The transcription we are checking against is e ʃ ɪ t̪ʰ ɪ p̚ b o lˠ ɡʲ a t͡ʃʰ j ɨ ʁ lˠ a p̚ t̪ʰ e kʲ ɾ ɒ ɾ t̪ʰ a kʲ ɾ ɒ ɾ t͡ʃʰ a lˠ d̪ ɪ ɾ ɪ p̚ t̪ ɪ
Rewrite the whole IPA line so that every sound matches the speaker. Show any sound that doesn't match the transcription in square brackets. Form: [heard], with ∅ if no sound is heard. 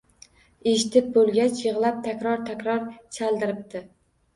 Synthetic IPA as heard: e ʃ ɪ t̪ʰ ɪ p̚ b o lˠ ɡʲ a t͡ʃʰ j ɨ ʁ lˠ a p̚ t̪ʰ [a] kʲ ɾ ɒ ɾ t̪ʰ a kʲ ɾ ɒ ɾ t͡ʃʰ a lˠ d̪ ɪ ɾ ɪ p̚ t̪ ɪ